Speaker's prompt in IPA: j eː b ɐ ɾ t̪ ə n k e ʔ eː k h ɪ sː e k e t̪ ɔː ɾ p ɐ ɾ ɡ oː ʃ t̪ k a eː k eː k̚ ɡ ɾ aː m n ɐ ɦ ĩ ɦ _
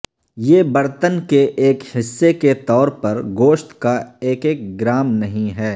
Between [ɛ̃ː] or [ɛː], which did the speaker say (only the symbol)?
ɛː